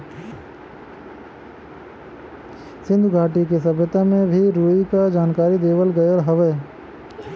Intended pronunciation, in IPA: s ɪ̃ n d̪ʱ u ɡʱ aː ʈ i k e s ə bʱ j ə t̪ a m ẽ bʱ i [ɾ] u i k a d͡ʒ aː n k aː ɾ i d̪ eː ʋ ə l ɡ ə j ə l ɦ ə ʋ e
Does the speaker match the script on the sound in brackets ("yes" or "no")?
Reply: yes